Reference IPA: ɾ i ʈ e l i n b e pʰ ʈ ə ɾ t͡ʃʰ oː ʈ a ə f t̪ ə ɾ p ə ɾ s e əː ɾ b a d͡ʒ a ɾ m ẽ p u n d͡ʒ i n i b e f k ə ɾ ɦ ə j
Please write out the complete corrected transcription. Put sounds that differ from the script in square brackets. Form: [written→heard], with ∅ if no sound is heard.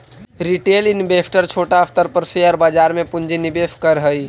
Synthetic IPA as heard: ɾ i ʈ e l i n b e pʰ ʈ ə ɾ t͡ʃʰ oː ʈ a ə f t̪ ə ɾ p ə ɾ s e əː ɾ b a d͡ʒ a ɾ m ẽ p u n d͡ʒ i n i b e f k ə ɾ ɦ ə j

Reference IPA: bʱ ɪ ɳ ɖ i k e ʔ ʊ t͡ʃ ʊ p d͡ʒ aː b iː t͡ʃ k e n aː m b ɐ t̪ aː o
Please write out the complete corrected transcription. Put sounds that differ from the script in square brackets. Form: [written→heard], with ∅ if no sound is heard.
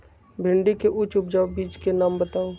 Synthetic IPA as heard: bʱ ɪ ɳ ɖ i k e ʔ ʊ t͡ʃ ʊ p d͡ʒ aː b iː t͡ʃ k e n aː m b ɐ t̪ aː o

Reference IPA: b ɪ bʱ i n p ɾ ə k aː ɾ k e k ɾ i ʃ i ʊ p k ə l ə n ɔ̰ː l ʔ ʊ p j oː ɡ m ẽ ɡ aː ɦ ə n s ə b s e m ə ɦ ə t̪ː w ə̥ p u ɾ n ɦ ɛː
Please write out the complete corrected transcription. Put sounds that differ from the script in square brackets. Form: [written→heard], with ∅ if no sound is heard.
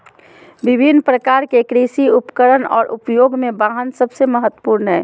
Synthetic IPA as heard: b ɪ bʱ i n p ɾ ə k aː ɾ k e k ɾ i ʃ i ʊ p k ə [l→ɾ] ə n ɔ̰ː [l→ɾ] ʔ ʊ p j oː ɡ m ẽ [ɡ→b] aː ɦ ə n s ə b s e m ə ɦ ə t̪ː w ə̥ p u ɾ n ɦ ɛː

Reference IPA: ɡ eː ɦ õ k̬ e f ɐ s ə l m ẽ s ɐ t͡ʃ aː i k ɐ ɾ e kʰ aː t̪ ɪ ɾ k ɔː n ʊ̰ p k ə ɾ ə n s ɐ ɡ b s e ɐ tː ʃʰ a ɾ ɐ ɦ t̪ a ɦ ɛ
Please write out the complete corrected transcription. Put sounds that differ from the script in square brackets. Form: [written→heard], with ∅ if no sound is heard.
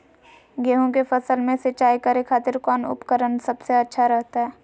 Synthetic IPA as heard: ɡ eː ɦ õ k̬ e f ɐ s ə l m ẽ s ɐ t͡ʃ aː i k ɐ ɾ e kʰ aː t̪ ɪ ɾ k ɔː n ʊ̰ p k ə ɾ ə n s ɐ [ɡ→∅] b s e ɐ tː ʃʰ a ɾ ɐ ɦ t̪ a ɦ [ɛ→ɛː]

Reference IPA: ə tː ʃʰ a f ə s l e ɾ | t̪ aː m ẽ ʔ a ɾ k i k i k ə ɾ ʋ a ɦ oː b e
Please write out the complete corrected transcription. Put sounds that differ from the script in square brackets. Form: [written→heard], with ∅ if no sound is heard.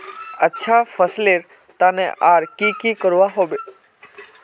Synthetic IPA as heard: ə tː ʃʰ a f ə s l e ɾ | t̪ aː [m→n] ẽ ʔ a ɾ k i k i k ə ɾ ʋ a ɦ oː b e

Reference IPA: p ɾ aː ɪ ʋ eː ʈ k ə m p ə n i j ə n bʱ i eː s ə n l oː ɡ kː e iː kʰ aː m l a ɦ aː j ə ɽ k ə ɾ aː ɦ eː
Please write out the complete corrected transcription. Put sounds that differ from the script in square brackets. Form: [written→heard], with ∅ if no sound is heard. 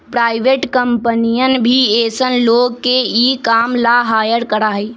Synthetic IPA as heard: p ɾ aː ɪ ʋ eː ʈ k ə m p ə n i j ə n bʱ i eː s ə n l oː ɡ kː e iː [kʰ→k] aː m l a ɦ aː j ə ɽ k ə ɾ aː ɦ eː

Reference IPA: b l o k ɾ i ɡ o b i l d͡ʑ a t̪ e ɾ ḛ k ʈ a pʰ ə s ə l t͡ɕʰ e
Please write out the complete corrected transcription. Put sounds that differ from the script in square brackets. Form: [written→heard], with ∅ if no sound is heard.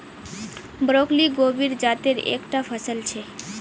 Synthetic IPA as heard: b [l→ɾ] o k [ɾ→l] i ɡ o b i [l→ɾ] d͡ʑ a t̪ e ɾ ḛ k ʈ a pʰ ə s ə l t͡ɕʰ e

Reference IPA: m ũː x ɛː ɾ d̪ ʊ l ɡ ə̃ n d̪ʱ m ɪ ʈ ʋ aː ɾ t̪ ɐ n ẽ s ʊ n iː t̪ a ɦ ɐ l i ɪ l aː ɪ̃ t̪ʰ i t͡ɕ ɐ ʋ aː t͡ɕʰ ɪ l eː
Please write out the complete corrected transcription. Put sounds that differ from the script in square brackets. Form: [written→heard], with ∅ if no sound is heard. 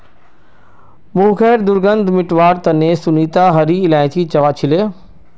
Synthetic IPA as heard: m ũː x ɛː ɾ d̪ ʊ [l→ɾ] ɡ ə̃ n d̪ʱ m ɪ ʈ ʋ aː ɾ t̪ ɐ n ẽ s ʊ n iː t̪ a ɦ ɐ [l→ɾ] i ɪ l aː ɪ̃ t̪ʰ i t͡ɕ ɐ ʋ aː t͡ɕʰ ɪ l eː

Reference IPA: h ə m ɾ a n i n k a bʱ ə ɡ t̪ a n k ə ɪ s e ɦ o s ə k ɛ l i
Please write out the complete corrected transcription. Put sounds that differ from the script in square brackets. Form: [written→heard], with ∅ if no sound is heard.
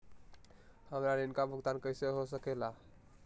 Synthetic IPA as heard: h ə m ɾ a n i n k a bʱ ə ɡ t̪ a n k ə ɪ s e ɦ o s ə k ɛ l [i→a]

